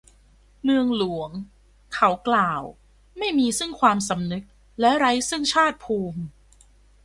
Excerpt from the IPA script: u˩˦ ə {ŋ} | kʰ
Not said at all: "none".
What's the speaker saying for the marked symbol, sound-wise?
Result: ŋ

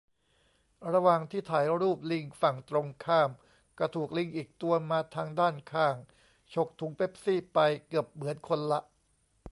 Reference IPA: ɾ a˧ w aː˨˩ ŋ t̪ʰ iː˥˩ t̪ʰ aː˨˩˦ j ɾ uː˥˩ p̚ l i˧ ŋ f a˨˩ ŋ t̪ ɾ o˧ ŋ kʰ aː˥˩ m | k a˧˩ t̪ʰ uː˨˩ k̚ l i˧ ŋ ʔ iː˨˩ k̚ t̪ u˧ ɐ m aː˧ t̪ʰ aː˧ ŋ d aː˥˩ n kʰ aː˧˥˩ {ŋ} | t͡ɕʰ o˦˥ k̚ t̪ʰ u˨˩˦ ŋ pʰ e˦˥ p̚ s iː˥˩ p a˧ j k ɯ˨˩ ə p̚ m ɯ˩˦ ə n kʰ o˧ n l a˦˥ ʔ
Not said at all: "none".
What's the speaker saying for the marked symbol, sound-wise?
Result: ŋ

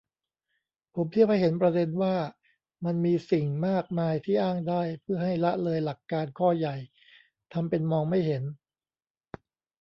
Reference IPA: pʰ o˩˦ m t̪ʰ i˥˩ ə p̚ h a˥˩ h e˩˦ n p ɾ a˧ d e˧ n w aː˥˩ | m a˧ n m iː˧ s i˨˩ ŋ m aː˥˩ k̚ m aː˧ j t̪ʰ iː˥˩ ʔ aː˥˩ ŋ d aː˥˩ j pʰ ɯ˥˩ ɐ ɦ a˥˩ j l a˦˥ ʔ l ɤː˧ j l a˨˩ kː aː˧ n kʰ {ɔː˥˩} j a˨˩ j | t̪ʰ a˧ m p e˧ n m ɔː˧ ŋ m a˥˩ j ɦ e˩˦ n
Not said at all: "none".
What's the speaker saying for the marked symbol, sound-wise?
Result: ɔː˥˩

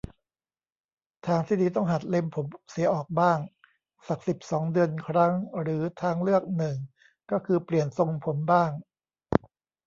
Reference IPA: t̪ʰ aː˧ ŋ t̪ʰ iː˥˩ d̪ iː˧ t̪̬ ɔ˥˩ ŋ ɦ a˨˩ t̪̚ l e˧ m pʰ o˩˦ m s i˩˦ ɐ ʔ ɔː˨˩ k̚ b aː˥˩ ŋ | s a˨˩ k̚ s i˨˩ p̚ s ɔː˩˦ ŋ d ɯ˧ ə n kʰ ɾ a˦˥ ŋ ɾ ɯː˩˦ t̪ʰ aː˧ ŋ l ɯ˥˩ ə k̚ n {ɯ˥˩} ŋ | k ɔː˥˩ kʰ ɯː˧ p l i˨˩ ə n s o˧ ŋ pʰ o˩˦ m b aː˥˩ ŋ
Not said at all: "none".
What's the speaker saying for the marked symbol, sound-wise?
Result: ɯ˨˩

